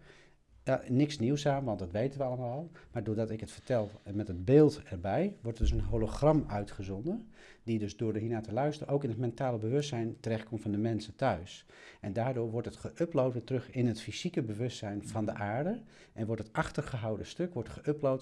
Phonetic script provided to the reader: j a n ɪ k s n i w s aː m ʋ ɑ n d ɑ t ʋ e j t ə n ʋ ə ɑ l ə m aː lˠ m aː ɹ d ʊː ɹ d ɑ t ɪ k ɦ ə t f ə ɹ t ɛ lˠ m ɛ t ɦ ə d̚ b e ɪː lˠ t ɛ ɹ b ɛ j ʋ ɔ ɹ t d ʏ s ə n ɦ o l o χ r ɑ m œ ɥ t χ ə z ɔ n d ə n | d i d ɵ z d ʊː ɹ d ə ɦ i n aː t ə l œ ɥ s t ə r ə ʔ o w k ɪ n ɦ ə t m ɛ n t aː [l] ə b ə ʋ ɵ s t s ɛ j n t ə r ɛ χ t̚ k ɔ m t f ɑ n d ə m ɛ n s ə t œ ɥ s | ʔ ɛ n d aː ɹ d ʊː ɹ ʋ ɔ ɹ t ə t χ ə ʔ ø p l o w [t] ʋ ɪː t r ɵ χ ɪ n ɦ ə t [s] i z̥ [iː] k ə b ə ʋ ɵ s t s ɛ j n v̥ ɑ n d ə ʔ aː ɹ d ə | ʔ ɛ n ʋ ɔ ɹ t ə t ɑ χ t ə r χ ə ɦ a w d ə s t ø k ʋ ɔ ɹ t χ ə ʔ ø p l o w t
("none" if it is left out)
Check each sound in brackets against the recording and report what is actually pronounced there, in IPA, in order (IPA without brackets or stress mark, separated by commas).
l, t, f, i